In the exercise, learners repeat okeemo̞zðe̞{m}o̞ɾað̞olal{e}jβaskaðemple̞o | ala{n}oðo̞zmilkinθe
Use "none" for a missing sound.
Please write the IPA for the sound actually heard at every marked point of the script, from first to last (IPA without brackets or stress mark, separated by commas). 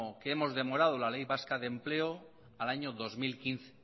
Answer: m, e, ɲ